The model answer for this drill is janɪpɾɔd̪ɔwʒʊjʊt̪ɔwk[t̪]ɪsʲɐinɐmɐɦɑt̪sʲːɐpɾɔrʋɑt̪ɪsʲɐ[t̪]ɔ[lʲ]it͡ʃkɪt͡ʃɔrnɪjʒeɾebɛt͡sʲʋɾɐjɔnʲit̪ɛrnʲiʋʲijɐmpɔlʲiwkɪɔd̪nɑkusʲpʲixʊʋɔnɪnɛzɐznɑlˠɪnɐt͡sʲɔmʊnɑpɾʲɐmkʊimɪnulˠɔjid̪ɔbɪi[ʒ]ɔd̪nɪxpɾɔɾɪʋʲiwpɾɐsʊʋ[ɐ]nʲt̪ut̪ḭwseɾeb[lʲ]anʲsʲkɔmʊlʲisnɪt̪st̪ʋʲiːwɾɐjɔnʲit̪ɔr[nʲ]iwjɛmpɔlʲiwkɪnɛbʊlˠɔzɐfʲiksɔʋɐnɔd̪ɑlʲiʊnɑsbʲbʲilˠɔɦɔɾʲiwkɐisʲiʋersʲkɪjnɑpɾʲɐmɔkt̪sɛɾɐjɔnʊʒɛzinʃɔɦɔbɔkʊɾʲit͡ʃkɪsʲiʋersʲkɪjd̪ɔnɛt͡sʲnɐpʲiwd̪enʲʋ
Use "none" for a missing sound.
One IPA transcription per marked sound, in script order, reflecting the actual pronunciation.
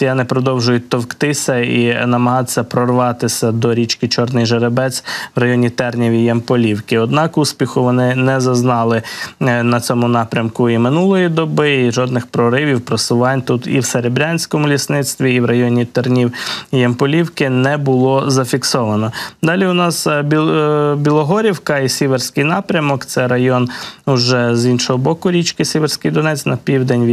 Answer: t̪, d̪, ɾʲ, ʒ, ɑ, ɾʲ, nʲ

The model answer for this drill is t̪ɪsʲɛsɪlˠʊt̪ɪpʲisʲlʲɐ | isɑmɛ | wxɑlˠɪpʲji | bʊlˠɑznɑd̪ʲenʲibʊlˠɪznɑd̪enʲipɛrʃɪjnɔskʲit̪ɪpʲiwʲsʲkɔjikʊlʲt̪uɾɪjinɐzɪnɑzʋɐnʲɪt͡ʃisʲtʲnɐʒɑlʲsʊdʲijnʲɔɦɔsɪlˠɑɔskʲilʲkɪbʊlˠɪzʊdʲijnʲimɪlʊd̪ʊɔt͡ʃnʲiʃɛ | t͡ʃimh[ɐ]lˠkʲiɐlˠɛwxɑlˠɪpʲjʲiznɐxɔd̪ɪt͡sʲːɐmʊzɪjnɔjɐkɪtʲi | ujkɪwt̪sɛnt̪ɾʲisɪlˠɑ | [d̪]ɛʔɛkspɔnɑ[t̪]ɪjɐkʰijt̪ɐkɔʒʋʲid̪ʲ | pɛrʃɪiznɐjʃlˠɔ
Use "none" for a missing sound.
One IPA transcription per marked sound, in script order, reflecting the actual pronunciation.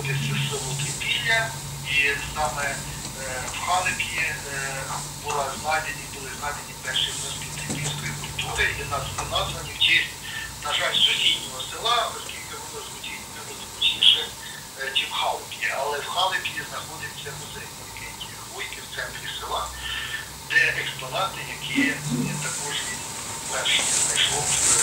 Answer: ɑ, d̪, t̪

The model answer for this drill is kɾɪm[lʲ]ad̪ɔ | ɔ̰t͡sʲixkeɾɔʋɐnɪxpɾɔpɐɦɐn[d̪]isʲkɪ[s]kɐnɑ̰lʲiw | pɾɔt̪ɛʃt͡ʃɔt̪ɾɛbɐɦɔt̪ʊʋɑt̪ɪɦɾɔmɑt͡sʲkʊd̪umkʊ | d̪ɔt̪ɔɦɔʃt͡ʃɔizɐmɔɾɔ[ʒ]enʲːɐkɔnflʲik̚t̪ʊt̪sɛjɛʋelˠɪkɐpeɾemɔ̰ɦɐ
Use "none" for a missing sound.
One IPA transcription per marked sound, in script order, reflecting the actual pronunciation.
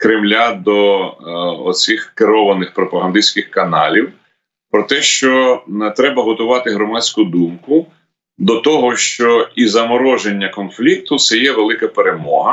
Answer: lʲ, d̪, x, ʒ

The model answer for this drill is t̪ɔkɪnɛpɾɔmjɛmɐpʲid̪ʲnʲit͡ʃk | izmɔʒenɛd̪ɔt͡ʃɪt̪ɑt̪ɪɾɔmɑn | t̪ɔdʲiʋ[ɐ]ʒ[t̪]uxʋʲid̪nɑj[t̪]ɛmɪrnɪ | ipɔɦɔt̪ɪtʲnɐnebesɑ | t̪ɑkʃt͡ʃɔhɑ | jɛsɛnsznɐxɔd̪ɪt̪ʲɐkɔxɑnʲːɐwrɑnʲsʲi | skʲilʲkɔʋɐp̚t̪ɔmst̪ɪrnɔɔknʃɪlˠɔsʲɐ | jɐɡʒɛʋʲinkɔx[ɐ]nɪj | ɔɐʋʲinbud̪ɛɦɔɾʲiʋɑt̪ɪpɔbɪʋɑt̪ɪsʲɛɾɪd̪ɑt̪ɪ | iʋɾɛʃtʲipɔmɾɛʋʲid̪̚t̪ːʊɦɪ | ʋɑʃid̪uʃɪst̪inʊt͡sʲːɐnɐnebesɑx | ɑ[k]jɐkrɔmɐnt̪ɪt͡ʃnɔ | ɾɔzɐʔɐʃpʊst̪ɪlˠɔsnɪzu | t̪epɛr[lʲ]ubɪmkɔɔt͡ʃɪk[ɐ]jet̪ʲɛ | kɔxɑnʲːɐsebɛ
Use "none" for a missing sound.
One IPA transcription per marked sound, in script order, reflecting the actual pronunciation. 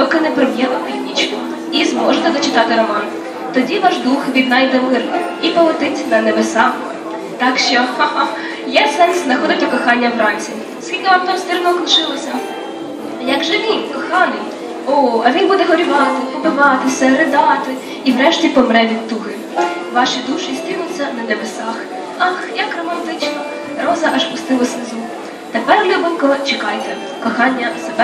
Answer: ɑ, d̪, d̪, ɑ, x, lʲ, ɑ

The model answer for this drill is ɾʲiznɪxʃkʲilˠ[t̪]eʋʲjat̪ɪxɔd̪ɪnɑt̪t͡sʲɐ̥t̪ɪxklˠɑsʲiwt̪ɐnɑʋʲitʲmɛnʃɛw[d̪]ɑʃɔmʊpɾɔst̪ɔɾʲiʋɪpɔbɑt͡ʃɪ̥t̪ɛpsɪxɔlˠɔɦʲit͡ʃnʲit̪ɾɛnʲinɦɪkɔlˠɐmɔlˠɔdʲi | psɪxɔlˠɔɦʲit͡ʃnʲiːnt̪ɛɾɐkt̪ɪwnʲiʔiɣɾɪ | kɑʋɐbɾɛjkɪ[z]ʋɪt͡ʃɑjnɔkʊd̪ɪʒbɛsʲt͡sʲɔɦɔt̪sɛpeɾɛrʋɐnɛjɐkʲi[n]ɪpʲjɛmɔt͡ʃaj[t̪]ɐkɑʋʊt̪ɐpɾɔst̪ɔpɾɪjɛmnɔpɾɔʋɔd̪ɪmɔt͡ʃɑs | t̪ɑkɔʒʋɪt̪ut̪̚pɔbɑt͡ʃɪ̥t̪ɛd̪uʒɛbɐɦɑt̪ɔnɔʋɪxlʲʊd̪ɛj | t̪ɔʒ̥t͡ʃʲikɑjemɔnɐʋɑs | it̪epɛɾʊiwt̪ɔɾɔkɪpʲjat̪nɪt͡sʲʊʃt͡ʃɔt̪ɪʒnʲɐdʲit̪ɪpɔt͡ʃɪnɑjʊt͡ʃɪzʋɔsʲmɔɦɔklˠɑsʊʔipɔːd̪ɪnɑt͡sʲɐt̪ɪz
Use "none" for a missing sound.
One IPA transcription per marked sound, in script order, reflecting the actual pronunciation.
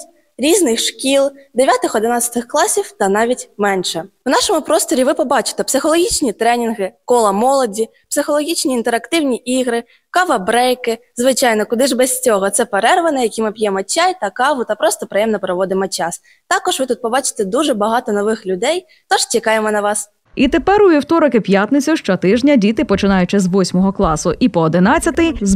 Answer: d̪, n̪, z, m, t̪

